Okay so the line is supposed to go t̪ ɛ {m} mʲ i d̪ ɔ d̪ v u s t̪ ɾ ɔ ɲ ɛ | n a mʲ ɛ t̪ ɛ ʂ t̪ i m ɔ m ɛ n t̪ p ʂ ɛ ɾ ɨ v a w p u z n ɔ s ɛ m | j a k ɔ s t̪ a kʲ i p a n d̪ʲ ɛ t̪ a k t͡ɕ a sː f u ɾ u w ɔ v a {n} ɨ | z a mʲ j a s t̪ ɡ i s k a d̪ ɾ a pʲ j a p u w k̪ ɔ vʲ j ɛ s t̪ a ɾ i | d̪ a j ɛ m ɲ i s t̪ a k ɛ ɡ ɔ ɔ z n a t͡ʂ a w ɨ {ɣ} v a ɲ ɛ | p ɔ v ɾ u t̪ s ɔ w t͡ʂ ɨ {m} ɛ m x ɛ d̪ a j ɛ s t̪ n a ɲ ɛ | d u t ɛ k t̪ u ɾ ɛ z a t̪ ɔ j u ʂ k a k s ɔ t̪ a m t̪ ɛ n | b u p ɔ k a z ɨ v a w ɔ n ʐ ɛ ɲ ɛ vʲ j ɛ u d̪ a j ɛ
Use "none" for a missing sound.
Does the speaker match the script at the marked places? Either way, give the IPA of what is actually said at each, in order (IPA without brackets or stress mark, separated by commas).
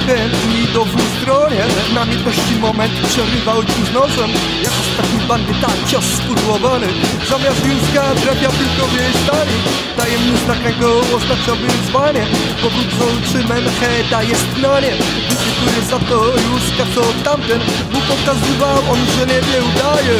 n, n, z, m